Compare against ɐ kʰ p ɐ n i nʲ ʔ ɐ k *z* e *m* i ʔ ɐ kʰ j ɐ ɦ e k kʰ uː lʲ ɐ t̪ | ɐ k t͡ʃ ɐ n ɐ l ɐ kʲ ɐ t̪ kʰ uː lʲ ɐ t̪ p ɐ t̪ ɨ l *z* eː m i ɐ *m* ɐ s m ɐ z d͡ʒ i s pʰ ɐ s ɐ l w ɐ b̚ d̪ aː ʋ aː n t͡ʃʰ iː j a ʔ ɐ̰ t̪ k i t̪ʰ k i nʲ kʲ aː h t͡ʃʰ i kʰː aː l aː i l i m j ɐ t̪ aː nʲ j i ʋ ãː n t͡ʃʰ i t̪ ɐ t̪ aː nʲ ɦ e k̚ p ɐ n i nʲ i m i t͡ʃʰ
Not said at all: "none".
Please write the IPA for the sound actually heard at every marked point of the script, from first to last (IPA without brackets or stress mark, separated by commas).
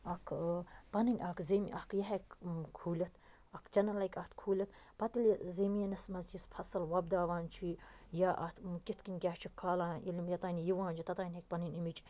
z, m, z, n